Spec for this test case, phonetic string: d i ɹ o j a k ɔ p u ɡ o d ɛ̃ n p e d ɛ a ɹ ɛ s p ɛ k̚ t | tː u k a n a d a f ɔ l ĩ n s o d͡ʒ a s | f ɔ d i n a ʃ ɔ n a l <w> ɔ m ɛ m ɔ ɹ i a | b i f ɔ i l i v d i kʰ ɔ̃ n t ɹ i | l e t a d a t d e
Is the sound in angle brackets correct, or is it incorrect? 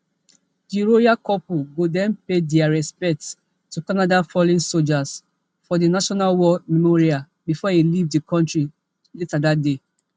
correct